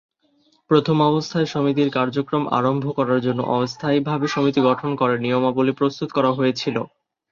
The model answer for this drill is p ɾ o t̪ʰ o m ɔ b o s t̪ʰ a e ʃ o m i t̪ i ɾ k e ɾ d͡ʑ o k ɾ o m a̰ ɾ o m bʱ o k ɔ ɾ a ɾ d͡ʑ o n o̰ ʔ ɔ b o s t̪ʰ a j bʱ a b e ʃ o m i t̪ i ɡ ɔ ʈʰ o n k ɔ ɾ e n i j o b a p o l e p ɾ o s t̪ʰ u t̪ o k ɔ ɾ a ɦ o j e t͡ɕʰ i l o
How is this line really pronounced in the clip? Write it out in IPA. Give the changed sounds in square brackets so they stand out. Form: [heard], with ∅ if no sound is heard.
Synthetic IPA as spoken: p ɾ o t̪ʰ o m ɔ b o s t̪ʰ a e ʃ o m i t̪ i ɾ k [a] ɾ d͡ʑ o k ɾ o m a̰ ɾ o m bʱ o k ɔ ɾ a ɾ d͡ʑ o [nː] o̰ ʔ ɔ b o s t̪ʰ a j bʱ a b e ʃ o m i t̪ i ɡ ɔ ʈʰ o n k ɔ ɾ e n i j o [m] a [b] o l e p ɾ o s [t̪] u t̪ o k ɔ ɾ a ɦ o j e t͡ɕʰ i l o